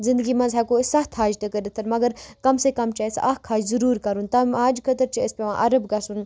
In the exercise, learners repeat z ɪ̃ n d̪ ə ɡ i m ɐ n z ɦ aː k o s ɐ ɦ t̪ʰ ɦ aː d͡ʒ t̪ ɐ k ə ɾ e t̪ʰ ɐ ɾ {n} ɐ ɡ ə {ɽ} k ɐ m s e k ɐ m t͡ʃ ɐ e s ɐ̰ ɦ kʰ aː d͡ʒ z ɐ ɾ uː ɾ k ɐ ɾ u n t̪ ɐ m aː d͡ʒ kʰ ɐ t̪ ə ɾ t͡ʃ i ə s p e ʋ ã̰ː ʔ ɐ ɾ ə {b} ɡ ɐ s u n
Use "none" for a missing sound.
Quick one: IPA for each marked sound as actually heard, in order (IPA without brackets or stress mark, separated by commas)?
m, ɾ, b